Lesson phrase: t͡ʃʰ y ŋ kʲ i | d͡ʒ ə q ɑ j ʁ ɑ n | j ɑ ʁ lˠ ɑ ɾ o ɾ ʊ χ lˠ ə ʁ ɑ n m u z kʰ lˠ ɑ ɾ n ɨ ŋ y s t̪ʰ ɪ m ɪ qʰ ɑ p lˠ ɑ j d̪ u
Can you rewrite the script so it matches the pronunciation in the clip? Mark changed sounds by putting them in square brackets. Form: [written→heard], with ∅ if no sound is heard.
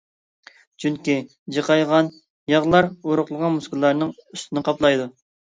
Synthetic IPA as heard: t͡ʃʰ y ŋ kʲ i | d͡ʒ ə q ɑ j ʁ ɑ n | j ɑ ʁ lˠ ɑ ɾ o ɾ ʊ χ lˠ ə ʁ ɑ n m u [z→s] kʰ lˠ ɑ ɾ n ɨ ŋ y s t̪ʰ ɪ [m→n] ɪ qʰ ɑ p lˠ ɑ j d̪ u